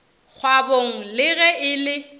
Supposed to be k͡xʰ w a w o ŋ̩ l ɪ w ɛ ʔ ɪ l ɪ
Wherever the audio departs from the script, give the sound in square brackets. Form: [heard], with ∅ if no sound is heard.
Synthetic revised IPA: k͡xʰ w a [b] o ŋ̩ l ɪ [ɣ] ɛ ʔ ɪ l ɪ